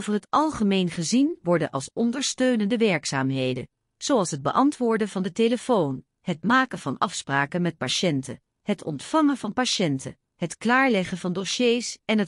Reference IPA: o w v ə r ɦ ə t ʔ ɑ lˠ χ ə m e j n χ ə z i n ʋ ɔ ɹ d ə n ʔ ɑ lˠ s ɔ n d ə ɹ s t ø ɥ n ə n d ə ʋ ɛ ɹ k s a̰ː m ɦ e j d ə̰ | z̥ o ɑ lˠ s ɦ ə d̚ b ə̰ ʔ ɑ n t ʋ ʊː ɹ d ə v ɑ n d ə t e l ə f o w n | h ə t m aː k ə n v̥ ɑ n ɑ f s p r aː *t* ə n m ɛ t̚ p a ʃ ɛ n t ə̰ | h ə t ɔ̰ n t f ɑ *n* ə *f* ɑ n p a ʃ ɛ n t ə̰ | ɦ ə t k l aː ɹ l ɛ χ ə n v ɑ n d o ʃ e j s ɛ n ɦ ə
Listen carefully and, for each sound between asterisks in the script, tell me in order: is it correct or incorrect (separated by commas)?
incorrect, incorrect, incorrect